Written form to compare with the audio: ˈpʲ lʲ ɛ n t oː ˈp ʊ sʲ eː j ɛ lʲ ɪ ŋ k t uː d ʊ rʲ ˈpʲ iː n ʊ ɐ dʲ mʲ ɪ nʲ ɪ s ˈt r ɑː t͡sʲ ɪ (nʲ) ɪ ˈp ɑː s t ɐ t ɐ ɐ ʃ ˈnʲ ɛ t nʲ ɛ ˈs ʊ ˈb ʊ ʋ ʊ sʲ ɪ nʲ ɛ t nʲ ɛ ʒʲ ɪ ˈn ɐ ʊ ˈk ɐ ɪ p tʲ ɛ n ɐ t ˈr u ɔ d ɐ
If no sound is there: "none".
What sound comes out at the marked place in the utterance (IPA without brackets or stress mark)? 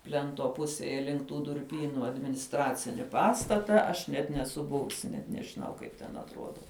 nʲ